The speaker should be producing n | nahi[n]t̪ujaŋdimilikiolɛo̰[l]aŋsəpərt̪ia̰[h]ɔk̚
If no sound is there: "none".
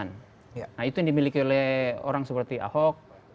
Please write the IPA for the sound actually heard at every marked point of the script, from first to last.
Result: none, ɾ, h

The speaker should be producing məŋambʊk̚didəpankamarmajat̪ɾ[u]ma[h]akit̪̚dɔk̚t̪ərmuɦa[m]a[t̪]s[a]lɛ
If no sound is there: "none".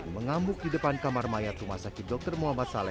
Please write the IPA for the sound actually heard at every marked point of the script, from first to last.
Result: u, s, m, t̪, a

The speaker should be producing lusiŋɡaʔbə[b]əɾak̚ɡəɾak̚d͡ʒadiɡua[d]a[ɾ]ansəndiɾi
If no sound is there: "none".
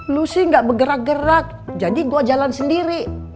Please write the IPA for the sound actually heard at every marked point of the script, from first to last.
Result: ɡ, d͡ʒ, l

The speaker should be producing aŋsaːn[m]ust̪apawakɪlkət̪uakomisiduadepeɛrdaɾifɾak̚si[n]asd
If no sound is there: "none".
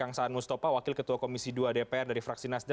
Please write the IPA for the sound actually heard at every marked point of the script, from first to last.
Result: m, n

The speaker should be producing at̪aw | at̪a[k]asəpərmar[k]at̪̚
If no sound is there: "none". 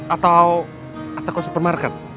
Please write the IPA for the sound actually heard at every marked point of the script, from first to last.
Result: k, k

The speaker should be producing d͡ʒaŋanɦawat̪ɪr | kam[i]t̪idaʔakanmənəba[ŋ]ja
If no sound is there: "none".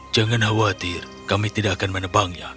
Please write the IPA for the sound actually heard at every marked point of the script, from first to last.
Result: i, ŋ

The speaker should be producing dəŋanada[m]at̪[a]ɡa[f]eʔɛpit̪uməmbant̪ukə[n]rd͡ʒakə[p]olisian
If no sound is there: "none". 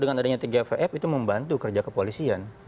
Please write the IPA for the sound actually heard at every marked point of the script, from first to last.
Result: ɲ, i, f, none, p

